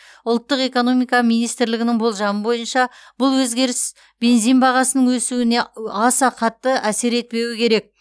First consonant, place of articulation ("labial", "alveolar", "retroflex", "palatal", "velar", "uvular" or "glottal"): alveolar